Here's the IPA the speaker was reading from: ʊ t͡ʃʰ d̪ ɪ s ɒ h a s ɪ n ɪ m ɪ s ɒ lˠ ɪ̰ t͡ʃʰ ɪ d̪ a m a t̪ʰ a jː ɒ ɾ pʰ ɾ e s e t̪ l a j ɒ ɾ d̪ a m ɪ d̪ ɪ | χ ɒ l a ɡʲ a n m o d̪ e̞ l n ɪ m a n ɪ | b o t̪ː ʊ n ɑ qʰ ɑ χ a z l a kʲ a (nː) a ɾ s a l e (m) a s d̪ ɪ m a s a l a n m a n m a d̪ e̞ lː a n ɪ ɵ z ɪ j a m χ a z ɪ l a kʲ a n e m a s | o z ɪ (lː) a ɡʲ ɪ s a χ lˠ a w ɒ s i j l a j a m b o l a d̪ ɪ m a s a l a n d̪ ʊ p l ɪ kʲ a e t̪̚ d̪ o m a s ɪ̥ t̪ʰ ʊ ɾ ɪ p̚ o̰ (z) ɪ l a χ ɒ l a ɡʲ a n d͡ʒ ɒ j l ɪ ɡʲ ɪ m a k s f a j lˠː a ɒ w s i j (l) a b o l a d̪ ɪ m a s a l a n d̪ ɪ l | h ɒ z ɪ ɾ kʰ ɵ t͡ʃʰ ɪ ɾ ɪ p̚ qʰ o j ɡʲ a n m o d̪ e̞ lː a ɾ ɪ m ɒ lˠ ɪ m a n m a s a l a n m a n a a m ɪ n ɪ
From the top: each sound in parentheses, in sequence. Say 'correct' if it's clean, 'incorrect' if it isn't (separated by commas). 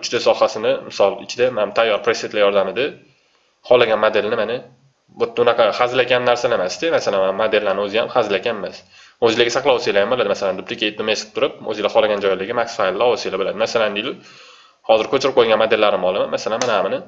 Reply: correct, correct, incorrect, correct, correct